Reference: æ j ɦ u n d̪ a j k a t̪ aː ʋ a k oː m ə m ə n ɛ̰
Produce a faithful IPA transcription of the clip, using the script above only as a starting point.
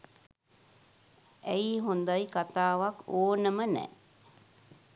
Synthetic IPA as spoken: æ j ɦ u n d̪ a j k a t̪ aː ʋ a k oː n ə m ə n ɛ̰